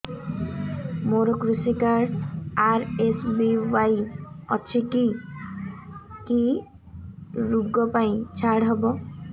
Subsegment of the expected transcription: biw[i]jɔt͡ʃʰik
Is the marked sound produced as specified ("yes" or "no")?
no